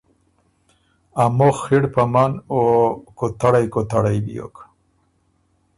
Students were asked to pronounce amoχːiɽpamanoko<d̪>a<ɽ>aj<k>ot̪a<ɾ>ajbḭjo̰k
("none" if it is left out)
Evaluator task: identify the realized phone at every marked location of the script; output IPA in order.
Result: t̪, ɽ, k, ɽ

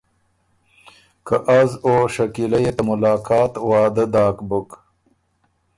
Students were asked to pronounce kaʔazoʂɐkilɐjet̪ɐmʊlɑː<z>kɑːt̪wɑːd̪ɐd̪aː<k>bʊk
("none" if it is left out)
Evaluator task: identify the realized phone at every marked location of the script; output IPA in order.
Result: none, k

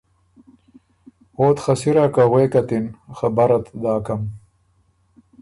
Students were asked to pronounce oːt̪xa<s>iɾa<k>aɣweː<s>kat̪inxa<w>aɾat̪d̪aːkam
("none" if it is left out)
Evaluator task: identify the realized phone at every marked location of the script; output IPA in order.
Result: s, k, none, b

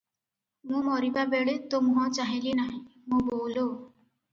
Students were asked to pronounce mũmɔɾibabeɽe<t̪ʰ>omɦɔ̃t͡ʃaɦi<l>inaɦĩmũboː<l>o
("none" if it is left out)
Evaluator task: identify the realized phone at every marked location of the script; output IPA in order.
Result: t̪, l, l

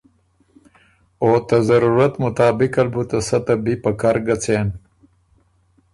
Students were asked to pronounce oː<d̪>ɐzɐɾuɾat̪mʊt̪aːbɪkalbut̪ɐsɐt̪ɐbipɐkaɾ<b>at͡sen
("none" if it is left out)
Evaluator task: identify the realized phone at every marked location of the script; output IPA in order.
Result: t̪, ɡ

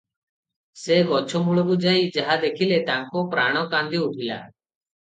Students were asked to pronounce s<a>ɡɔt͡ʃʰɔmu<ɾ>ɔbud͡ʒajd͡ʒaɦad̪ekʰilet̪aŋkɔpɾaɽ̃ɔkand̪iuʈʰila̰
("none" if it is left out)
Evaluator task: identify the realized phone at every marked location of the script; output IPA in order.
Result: e, ɭ

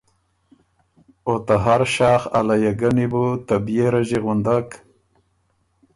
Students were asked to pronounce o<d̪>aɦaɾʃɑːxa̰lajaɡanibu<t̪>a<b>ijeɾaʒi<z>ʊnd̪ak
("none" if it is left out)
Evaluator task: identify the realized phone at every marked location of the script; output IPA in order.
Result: t̪, t̪, b, ɣ

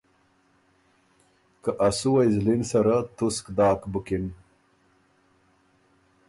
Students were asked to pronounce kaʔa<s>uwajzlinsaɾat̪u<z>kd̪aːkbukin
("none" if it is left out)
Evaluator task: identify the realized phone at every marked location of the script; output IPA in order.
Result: s, s

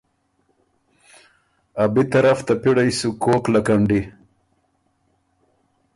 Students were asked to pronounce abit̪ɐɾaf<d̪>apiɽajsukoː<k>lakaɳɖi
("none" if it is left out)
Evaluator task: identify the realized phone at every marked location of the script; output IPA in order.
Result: t̪, k

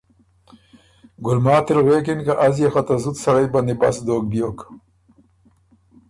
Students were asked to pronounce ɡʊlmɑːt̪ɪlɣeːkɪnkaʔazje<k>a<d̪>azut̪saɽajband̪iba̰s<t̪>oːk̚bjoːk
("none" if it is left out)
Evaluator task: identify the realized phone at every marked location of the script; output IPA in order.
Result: x, t̪, d̪

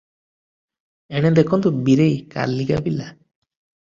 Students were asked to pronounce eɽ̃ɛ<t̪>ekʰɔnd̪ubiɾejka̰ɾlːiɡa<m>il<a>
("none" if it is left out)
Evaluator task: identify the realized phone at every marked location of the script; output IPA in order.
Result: d̪, b, a

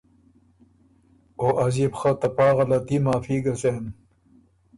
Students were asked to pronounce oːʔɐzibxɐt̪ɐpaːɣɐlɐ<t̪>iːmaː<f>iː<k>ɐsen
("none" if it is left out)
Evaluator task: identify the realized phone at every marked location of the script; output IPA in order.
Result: t̪, f, ɡ

